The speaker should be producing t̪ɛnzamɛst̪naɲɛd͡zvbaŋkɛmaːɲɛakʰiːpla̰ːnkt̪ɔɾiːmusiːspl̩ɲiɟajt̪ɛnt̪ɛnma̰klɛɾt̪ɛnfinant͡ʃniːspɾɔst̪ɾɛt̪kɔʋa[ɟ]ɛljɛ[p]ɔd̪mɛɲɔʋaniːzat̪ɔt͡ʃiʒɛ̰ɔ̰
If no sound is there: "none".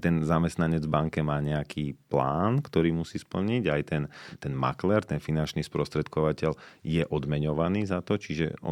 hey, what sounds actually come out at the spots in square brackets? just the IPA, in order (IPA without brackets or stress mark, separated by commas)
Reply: c, ʔ